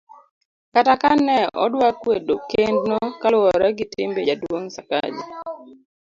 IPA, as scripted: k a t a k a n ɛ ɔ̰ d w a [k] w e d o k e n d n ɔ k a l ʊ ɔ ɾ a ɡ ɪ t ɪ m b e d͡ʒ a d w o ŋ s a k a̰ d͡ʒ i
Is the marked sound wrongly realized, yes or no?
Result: no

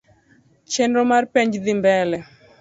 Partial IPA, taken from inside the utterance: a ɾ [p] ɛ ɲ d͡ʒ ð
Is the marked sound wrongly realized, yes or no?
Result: no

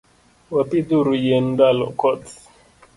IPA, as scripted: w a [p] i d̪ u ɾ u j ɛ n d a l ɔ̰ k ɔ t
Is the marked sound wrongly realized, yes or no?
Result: no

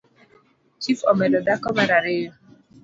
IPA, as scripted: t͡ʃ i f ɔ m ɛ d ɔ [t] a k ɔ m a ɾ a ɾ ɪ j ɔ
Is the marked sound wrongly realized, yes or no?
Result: yes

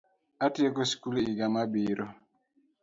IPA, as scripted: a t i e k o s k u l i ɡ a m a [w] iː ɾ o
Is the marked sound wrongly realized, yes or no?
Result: yes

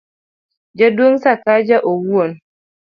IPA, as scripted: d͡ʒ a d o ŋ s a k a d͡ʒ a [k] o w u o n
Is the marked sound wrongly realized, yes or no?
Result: yes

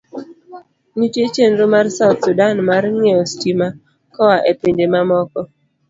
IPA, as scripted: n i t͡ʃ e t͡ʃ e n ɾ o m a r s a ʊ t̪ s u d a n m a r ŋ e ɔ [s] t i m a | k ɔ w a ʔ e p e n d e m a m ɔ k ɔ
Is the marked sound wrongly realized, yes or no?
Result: no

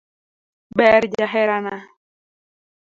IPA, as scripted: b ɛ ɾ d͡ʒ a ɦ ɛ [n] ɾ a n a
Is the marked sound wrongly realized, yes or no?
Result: yes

